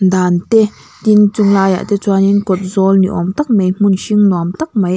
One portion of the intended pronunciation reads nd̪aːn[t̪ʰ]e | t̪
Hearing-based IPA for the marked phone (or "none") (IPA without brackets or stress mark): t̪